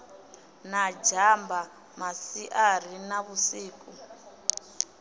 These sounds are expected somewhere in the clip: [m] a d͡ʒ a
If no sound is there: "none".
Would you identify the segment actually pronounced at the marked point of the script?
n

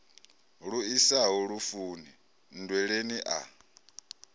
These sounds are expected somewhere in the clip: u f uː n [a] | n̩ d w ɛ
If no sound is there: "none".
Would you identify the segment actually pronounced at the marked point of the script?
i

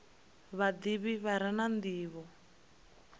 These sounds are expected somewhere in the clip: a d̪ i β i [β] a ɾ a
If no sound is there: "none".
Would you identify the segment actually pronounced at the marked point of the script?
β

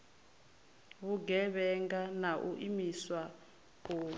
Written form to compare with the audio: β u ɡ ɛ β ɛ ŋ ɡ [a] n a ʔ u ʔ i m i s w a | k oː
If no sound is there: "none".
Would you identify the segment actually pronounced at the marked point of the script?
a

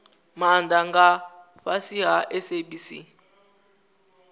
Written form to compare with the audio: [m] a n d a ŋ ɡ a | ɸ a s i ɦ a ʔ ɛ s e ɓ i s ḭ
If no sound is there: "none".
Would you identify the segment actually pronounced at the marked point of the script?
m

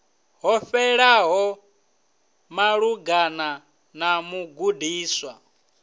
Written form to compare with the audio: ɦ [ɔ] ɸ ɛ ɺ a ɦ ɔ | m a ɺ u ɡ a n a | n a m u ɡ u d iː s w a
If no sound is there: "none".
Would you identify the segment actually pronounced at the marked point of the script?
ɔ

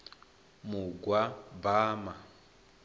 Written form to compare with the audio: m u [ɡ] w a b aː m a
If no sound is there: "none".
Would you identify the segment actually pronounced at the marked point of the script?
ɡ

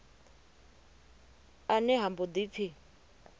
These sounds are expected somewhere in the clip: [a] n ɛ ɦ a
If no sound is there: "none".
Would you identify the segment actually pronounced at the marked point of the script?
a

